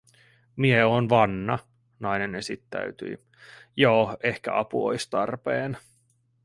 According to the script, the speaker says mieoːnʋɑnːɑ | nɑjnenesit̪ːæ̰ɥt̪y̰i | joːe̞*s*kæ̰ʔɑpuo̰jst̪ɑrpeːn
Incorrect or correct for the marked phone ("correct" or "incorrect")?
incorrect